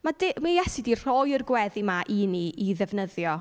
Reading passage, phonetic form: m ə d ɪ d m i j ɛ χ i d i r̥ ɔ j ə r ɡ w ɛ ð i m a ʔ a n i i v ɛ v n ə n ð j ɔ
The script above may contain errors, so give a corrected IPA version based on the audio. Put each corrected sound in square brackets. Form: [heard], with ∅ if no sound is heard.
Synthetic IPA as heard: m [a] d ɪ [∅] m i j ɛ [s] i d i r̥ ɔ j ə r ɡ w ɛ ð i m a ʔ [i] n i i [ð] ɛ v n ə [∅] ð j ɔ